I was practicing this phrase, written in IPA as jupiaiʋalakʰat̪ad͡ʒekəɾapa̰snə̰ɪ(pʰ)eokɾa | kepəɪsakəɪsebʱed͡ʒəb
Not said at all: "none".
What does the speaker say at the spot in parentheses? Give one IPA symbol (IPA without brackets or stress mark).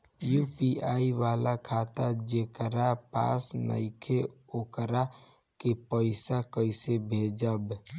kʰ